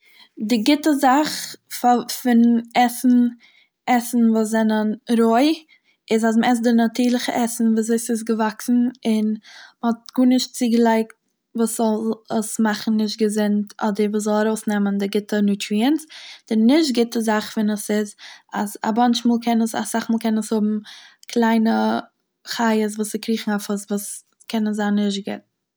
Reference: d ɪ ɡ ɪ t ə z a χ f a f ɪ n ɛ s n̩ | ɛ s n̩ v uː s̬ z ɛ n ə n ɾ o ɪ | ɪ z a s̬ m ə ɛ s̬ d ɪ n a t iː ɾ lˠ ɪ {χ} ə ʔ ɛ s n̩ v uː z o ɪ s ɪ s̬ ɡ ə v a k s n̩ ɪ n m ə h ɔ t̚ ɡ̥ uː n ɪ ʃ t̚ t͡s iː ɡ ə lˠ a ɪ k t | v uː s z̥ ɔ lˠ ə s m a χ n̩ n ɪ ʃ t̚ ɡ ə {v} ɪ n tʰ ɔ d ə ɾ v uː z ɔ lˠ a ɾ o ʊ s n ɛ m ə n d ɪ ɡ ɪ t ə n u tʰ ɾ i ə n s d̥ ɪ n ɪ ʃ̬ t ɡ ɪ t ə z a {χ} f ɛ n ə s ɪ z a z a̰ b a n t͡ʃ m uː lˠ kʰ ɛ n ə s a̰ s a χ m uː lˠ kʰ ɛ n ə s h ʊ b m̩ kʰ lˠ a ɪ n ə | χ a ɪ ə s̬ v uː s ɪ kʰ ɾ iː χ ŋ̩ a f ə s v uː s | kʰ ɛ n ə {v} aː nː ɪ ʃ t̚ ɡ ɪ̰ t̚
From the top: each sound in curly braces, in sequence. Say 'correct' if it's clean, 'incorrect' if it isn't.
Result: correct, incorrect: z, correct, incorrect: z

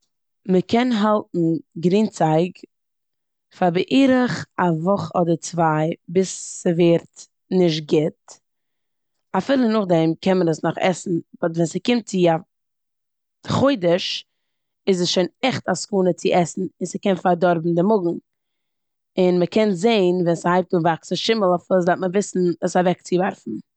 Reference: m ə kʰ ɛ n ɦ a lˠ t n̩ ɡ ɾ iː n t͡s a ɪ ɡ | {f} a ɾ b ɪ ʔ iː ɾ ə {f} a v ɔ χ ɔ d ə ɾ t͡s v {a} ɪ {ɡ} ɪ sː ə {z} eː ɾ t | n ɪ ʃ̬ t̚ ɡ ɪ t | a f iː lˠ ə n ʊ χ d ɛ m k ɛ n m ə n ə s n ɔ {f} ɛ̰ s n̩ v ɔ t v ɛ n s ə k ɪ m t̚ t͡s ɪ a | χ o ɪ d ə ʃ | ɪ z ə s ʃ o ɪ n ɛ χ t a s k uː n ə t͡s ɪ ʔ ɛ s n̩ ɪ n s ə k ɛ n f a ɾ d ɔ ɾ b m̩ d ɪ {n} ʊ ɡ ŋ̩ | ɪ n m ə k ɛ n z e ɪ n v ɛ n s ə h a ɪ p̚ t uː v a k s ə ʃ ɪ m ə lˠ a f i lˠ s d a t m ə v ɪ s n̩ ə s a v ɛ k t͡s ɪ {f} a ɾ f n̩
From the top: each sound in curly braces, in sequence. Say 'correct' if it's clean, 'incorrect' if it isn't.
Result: correct, incorrect: χ, correct, incorrect: b, incorrect: v, incorrect: χ, incorrect: m, incorrect: v

